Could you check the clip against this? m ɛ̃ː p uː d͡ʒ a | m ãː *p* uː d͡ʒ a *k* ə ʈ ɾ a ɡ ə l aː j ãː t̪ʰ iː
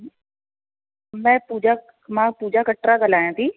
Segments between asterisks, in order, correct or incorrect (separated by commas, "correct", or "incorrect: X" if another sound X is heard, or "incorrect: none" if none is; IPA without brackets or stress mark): correct, correct